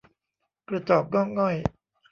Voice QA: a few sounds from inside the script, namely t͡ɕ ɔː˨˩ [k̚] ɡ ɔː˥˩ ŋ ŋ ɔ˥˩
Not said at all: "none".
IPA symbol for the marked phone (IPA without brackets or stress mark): p̚